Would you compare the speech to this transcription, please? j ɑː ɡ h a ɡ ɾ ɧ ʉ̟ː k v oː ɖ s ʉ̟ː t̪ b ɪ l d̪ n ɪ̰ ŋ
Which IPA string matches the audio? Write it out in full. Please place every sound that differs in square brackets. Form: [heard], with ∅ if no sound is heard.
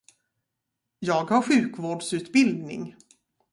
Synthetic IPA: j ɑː ɡ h a [∅] ɾ ɧ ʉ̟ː k v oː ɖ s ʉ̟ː t̪ b ɪ l d̪ n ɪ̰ ŋ